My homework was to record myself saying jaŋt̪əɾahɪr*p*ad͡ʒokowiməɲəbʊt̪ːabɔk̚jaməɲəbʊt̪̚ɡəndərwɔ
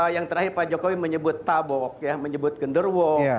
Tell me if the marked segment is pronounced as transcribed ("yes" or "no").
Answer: yes